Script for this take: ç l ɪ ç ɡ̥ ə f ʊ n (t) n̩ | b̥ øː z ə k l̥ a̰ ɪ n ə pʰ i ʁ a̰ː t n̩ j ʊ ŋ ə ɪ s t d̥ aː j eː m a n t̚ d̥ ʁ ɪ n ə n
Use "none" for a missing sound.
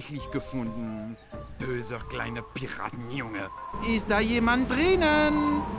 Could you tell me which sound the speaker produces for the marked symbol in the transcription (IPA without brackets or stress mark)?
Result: d